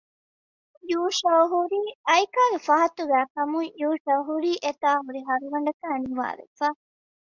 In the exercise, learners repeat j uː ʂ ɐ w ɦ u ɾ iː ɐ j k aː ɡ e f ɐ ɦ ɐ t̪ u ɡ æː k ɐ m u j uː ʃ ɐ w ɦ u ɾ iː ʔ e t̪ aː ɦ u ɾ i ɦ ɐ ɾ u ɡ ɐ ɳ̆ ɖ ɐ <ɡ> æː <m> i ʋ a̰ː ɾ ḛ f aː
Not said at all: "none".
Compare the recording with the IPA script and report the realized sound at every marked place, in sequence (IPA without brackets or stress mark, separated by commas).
k, n